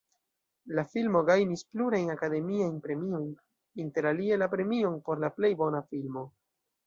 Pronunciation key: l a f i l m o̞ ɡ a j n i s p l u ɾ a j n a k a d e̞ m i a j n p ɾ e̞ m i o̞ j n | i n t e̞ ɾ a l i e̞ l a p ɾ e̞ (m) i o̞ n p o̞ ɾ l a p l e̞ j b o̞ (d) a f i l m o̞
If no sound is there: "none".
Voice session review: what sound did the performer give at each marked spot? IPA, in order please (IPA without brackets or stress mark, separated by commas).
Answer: m, n